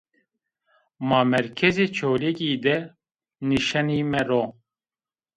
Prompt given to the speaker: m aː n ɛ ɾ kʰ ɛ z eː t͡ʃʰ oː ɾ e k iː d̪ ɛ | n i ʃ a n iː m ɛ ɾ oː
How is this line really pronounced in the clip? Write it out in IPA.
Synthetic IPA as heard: m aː m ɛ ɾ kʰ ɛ z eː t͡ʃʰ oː l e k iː d̪ ɛ | n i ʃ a n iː m ɛ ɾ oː